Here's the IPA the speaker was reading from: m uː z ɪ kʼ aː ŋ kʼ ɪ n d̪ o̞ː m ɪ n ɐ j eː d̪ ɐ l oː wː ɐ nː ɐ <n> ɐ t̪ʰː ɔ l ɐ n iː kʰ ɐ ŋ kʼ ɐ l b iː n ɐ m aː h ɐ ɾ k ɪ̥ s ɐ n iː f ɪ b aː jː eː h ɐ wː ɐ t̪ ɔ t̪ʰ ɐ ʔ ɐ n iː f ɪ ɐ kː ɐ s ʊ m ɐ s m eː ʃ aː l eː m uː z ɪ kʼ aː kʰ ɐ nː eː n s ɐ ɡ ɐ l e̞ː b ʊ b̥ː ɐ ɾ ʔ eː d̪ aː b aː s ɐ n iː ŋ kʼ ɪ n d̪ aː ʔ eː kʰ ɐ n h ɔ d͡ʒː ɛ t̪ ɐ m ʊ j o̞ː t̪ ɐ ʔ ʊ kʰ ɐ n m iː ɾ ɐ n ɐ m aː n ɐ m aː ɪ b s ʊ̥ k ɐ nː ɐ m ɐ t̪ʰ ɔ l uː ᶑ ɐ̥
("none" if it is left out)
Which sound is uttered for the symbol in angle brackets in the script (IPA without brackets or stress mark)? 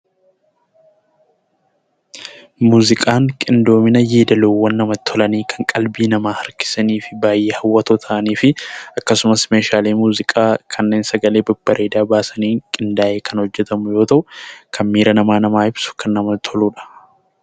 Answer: m